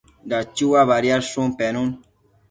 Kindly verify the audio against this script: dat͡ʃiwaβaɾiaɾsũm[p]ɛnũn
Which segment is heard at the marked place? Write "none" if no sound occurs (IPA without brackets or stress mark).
p